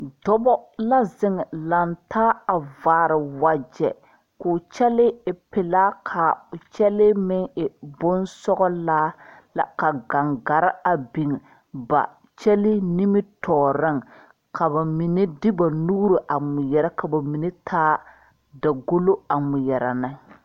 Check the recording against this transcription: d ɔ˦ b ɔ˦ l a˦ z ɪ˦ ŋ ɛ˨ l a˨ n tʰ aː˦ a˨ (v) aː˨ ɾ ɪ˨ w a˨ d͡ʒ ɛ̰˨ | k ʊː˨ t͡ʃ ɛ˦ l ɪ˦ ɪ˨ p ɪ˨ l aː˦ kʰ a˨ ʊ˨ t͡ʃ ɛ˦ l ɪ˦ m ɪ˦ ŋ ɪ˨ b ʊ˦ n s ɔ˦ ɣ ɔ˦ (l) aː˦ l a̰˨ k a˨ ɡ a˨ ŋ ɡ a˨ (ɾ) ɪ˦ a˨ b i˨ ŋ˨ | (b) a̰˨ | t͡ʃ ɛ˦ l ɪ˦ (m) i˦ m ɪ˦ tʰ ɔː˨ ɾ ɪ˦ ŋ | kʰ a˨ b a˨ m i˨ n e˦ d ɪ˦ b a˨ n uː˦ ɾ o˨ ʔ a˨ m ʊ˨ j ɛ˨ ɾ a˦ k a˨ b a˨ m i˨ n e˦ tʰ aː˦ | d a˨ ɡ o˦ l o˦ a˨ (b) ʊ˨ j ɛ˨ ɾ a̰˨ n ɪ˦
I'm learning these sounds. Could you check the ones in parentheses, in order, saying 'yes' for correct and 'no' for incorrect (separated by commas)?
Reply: yes, yes, yes, yes, no, no